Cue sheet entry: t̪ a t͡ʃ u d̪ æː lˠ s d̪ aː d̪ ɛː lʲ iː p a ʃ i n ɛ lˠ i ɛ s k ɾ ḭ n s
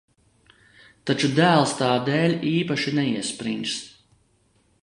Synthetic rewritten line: t̪ a t͡ʃ u d̪ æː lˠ s t̪ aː d̪ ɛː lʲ iː p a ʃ i n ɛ i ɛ s p ɾ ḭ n s